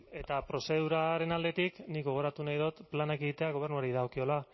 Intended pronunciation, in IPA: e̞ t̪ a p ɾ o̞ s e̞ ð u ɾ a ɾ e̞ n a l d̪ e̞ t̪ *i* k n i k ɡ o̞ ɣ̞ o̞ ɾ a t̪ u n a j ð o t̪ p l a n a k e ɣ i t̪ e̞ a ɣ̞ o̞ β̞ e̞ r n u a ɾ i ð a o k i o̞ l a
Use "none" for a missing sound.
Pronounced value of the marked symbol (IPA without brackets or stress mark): i